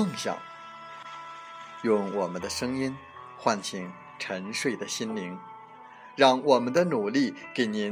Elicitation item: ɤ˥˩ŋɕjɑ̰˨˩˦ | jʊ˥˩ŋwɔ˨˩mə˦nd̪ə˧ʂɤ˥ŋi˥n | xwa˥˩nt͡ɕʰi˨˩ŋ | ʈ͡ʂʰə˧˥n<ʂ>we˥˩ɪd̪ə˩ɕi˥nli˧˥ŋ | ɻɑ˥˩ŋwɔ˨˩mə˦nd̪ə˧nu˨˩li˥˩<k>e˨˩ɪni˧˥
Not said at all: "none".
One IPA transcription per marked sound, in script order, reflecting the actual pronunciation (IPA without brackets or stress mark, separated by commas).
ʂ, k